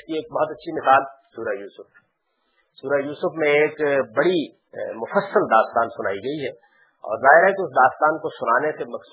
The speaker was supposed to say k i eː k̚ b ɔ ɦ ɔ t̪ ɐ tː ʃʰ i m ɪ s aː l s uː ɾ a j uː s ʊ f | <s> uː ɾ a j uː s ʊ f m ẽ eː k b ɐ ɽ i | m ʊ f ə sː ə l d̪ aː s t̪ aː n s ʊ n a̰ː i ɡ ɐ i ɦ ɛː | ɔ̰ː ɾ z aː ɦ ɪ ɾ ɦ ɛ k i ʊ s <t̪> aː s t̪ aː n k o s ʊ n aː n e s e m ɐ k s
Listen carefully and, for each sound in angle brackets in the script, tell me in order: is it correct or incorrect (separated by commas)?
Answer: correct, incorrect